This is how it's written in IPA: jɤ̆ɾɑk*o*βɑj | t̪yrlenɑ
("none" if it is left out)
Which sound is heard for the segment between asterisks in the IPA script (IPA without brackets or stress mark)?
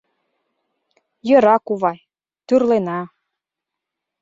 u